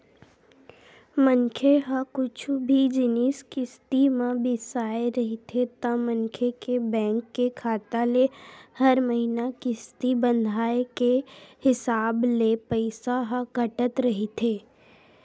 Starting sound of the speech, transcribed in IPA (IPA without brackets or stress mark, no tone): m